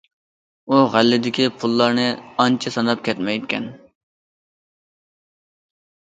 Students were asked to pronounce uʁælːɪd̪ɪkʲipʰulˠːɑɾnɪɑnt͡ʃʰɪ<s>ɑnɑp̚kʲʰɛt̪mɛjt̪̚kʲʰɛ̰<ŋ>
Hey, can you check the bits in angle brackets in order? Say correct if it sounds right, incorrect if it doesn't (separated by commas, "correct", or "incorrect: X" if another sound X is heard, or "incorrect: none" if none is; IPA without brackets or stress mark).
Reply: correct, incorrect: n